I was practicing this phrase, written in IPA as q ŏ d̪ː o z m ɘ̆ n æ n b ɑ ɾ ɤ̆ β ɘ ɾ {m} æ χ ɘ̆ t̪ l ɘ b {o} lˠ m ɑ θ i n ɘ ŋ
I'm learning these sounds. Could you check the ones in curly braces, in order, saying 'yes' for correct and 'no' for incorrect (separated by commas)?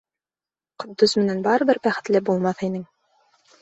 no, no